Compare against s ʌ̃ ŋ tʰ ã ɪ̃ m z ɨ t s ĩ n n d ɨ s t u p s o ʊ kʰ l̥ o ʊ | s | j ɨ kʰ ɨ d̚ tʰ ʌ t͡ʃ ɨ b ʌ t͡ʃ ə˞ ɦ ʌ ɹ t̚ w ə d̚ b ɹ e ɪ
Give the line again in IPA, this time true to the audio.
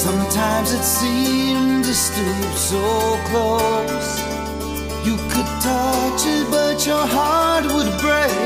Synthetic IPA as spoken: s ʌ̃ m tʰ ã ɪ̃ m z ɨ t s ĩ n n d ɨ s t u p s o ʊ kʰ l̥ o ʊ | s | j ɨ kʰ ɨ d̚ tʰ ʌ t͡ʃ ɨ b ʌ t͡ʃ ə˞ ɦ ɑ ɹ t̚ w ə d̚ b ɹ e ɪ